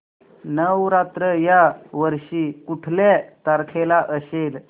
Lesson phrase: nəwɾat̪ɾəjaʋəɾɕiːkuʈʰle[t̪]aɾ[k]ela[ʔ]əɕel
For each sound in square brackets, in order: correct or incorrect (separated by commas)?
correct, incorrect, correct